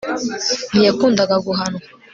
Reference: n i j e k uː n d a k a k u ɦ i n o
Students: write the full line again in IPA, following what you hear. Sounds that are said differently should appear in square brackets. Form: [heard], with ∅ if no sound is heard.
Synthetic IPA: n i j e k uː n d a [ɡ] a [ɡ] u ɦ [a] n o